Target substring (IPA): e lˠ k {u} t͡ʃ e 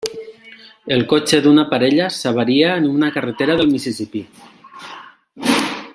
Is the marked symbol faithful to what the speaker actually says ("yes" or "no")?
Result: no